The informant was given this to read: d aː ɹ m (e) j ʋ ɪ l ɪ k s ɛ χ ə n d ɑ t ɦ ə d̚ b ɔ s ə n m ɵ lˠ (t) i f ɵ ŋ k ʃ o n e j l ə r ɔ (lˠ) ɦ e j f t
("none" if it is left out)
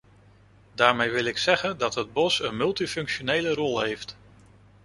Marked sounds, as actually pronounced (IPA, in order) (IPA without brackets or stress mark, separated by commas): e, t, lˠ